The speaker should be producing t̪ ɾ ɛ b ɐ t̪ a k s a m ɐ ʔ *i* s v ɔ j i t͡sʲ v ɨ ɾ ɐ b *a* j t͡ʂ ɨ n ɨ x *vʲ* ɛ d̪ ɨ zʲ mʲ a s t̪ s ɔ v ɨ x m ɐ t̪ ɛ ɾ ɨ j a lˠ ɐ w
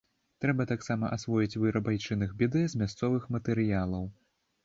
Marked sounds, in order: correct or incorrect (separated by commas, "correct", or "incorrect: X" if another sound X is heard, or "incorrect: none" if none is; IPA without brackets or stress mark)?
incorrect: a, correct, incorrect: bʲ